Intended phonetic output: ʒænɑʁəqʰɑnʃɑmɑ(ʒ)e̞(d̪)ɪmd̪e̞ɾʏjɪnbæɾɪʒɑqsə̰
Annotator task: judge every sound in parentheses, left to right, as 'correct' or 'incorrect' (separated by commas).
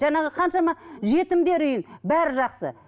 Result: correct, incorrect